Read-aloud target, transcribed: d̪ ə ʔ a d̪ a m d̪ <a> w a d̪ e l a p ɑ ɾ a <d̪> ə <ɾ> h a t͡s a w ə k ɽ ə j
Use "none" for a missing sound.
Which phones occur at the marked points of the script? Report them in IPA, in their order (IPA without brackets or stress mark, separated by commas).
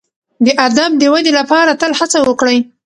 ə, t̪, l